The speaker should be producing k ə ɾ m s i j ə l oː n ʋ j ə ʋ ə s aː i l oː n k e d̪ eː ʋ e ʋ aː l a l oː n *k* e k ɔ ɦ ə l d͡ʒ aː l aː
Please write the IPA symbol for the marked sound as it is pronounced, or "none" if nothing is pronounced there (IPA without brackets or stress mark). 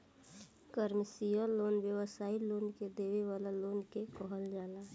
k